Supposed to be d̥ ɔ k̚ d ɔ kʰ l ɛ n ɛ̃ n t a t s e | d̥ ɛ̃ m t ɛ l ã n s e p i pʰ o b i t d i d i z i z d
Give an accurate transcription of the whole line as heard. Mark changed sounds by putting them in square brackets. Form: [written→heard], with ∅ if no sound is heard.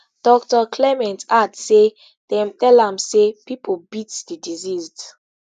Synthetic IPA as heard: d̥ ɔ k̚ [d→t] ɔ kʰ l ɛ [n→m] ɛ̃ n t a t s e | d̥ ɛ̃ m t ɛ l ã [n→m] s e p i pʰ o b i t d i d i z i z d